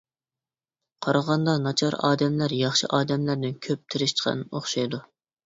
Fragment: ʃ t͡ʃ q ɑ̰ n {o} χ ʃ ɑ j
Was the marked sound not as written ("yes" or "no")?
no